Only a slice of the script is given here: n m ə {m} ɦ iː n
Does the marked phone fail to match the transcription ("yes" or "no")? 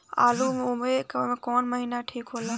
yes